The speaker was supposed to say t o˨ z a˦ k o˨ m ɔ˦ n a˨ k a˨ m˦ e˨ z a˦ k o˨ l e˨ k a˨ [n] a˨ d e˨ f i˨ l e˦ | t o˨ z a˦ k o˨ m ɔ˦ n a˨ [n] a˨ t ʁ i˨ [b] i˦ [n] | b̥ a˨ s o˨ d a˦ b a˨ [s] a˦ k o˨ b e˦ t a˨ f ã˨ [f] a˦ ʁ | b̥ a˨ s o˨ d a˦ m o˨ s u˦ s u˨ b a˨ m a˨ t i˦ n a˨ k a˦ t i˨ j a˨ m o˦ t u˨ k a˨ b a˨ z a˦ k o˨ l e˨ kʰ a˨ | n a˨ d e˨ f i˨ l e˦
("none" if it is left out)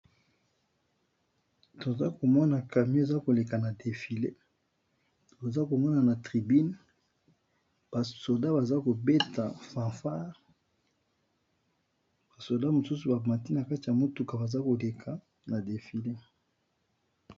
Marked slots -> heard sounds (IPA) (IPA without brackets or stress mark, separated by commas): n, n, b, n, z, f